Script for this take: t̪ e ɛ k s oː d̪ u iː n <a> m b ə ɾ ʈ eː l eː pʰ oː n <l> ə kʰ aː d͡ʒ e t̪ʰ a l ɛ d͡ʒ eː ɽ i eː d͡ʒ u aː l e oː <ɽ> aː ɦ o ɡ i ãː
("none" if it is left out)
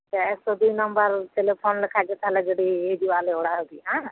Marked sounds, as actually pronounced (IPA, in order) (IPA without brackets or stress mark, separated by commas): ə, l, ɽ